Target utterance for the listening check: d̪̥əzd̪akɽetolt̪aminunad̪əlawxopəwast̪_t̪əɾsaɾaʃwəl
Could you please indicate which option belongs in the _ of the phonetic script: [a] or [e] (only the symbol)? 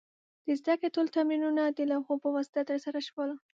a